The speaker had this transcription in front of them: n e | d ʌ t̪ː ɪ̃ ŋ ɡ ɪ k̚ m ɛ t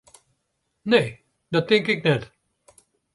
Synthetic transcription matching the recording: n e | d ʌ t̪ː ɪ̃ ŋ k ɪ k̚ n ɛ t